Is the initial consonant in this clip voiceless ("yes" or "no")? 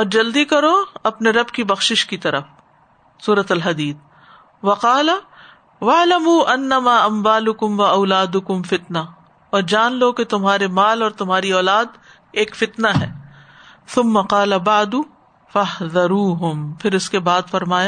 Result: no